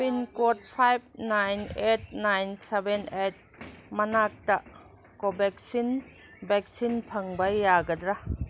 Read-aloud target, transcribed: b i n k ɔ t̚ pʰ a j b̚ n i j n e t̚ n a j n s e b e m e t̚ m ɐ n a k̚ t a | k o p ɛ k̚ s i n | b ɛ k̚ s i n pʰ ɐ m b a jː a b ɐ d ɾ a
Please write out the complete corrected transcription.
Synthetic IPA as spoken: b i n k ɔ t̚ pʰ a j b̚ n a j n e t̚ n a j n s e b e n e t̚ m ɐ n a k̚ t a | k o b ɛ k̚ s i n | b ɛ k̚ s i n pʰ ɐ ŋ b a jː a ɡ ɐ d ɾ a